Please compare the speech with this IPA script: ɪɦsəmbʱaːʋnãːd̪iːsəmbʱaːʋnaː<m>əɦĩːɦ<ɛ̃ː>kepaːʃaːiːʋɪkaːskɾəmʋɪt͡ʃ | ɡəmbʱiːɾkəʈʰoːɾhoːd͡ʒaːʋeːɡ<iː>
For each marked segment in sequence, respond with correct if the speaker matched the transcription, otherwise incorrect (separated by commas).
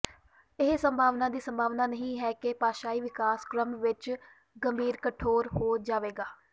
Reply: incorrect, incorrect, incorrect